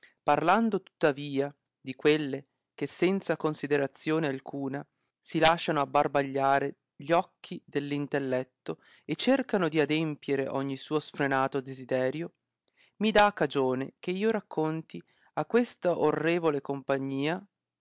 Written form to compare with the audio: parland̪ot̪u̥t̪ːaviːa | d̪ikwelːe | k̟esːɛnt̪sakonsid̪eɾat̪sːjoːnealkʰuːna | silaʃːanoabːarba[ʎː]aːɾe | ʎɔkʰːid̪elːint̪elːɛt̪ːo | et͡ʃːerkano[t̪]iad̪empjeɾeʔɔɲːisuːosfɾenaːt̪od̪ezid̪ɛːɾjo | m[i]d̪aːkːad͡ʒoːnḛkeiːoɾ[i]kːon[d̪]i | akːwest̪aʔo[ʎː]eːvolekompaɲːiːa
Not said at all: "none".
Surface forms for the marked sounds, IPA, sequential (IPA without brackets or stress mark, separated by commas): ʎː, d̪, i, a, t̪, rː